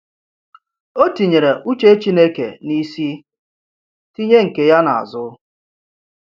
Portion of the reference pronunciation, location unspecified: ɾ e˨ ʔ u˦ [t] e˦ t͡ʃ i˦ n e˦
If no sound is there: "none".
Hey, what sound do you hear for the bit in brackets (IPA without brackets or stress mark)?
t͡ʃ